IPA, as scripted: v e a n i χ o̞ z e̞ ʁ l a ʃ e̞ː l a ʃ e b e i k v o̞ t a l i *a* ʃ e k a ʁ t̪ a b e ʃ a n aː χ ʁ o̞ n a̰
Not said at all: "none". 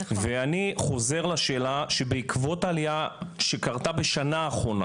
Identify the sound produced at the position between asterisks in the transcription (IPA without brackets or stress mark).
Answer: a